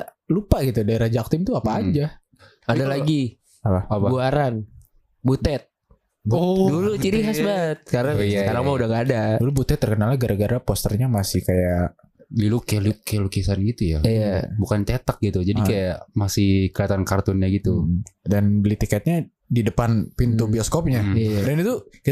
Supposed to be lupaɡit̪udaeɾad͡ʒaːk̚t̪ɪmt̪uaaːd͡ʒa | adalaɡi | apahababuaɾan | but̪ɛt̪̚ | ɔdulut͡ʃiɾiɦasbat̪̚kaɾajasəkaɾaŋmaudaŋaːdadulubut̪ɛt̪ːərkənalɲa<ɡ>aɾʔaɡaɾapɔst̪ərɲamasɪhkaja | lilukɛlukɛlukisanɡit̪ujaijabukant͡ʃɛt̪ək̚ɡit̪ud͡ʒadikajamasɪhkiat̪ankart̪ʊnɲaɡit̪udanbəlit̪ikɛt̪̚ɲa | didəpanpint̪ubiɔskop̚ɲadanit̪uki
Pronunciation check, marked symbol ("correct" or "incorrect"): correct